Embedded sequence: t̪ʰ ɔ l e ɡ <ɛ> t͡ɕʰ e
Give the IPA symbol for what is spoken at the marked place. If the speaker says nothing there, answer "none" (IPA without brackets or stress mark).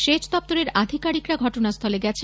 ɛ